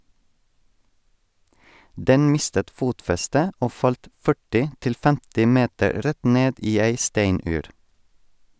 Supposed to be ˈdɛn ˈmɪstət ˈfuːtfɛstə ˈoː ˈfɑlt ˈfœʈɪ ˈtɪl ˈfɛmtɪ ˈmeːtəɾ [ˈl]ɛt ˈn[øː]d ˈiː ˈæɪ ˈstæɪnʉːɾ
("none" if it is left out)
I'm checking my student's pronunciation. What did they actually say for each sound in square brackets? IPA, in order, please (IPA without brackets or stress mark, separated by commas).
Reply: ɾ, eː